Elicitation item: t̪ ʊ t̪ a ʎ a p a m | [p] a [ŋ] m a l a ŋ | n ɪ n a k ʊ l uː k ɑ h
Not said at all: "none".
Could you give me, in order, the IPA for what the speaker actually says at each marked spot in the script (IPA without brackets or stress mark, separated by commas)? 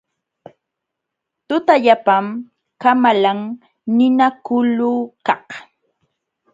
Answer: k, none